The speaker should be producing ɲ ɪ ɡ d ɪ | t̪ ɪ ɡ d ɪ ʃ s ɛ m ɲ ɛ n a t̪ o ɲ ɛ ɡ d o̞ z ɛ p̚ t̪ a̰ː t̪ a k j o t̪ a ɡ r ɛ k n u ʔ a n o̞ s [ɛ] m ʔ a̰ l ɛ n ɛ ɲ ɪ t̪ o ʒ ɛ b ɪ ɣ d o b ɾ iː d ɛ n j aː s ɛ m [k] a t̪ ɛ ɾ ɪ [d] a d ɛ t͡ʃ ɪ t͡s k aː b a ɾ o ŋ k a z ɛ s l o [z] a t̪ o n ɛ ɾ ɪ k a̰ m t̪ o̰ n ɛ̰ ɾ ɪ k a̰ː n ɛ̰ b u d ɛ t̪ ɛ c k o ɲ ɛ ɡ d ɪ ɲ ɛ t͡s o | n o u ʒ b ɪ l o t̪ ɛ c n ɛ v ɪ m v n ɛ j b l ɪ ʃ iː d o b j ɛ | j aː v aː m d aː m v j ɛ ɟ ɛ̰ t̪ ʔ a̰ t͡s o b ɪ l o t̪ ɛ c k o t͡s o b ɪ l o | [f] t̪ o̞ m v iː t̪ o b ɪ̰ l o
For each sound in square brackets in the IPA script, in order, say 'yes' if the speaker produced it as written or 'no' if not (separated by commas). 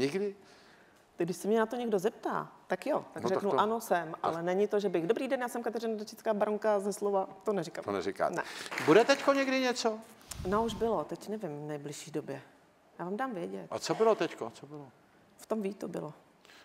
yes, yes, no, no, yes